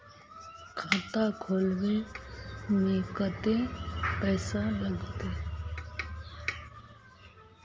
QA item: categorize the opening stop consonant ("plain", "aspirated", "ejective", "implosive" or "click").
aspirated